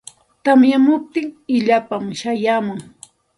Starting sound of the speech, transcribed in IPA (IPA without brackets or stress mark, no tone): t̪